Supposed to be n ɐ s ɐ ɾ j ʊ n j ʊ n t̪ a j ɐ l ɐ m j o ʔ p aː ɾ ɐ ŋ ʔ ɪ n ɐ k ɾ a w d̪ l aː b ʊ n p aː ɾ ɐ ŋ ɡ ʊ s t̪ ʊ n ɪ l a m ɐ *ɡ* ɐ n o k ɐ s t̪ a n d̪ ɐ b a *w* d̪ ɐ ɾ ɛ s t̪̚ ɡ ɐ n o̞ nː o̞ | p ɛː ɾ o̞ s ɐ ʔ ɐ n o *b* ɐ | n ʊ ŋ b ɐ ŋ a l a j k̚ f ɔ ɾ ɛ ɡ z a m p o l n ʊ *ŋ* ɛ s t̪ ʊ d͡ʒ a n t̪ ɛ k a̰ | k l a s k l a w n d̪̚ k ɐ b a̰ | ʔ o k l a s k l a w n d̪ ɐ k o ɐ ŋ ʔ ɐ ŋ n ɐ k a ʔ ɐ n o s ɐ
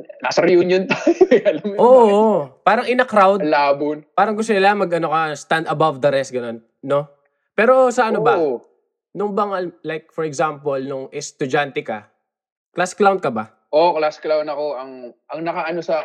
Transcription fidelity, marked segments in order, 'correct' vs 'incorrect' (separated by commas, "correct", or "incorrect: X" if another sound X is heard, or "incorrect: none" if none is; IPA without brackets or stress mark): correct, incorrect: v, correct, correct